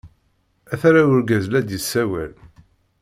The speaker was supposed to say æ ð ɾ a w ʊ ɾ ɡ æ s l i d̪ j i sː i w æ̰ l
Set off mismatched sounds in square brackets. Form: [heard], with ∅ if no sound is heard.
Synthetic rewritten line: æ [θ] ɾ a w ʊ ɾ ɡ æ [z] l [æ] d̪ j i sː [æ] w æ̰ l